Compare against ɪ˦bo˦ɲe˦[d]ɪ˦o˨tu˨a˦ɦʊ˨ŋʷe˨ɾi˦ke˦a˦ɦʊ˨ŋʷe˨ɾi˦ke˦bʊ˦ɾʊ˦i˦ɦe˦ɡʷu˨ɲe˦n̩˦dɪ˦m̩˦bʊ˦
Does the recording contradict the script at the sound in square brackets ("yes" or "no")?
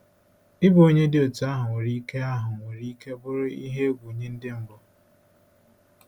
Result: no